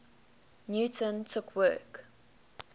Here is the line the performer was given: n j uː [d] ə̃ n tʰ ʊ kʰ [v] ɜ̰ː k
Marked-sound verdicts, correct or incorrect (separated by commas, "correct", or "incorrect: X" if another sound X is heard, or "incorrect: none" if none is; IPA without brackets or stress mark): incorrect: t, incorrect: w